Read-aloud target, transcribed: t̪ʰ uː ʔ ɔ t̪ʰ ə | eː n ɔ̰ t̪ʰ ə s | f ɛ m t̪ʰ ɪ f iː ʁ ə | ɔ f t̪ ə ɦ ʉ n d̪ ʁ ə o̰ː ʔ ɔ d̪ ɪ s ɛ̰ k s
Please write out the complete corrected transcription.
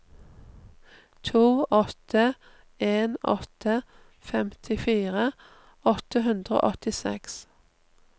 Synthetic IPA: t̪ʰ uː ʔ ɔ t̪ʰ ə | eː n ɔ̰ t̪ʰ ə | f ɛ m t̪ʰ ɪ f iː ʁ ə | ɔ t̪ ə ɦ ʉ n d̪ ʁ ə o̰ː ʔ ɔ t̪ ɪ s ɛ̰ k s